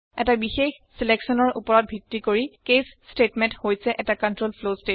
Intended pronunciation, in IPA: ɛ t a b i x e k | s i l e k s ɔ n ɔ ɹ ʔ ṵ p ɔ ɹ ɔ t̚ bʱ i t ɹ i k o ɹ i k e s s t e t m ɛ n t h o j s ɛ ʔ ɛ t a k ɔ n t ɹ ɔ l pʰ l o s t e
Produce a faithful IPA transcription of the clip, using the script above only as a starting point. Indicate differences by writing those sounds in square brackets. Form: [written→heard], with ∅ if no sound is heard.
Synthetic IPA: ɛ t a b i x e [k→x] | s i l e k s ɔ n ɔ ɹ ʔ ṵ p ɔ ɹ ɔ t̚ bʱ i t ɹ i k o ɹ i k e s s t e t m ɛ n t h o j s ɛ ʔ ɛ t a k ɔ n t ɹ [ɔ→o] l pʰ l o s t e